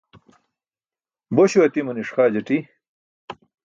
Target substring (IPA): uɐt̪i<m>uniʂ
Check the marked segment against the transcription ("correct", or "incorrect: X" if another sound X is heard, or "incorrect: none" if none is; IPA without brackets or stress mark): correct